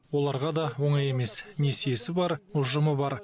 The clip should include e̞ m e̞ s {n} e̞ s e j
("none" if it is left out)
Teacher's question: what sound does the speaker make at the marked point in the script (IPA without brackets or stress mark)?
n